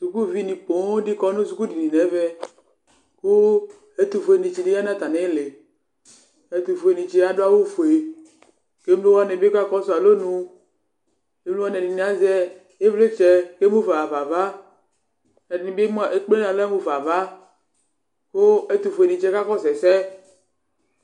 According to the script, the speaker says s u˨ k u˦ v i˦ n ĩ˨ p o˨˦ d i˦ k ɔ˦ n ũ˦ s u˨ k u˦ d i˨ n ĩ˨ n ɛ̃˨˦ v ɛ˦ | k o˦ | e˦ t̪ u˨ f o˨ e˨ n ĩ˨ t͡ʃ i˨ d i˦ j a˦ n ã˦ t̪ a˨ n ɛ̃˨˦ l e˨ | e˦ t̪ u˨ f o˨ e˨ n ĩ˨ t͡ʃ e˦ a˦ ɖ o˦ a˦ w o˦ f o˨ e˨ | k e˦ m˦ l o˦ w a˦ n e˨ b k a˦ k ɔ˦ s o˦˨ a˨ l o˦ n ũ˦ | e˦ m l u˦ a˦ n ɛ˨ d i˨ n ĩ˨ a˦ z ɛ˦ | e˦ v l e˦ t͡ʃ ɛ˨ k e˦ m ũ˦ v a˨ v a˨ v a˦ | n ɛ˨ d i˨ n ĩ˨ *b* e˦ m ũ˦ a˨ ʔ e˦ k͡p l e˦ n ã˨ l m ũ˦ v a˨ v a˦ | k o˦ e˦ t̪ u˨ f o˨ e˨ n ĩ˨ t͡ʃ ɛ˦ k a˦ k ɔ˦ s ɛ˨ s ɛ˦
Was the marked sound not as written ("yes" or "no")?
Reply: no